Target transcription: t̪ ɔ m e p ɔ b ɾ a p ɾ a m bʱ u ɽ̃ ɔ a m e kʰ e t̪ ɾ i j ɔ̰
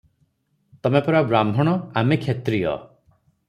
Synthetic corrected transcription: t̪ ɔ m e p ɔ ɾ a b ɾ a m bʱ ɔ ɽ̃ ɔ a m e kʰ e t̪ ɾ i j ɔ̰